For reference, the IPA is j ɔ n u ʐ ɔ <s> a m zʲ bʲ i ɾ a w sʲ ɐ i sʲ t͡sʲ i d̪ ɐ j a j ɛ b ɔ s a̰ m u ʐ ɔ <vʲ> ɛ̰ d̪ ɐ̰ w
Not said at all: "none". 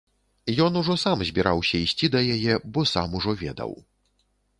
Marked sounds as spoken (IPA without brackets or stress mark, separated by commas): s, vʲ